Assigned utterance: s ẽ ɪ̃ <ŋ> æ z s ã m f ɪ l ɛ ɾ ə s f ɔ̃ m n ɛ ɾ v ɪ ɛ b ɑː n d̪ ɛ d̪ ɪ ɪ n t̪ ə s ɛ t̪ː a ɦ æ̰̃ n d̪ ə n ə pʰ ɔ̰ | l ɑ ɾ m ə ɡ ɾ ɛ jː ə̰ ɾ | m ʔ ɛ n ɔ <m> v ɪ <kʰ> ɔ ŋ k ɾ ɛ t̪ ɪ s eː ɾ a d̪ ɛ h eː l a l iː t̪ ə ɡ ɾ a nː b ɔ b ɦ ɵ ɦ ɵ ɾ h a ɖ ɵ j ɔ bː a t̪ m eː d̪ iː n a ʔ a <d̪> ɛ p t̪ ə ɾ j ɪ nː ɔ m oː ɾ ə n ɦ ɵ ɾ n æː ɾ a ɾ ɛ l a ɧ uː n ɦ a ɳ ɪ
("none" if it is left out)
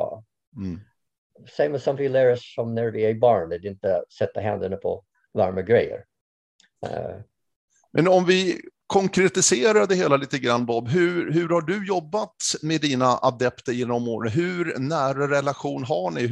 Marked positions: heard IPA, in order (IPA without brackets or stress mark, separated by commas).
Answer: m, m, kʰ, d̪